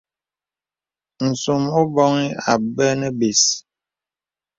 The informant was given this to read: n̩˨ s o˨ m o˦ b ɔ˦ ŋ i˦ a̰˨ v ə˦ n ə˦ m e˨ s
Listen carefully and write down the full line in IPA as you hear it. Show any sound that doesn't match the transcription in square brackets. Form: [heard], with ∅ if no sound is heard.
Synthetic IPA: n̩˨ s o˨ m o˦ b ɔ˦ ŋ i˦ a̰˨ [b] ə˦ n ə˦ [b] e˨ s